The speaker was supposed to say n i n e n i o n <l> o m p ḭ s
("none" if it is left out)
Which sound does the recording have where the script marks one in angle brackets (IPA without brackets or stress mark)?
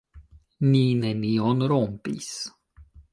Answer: ɾ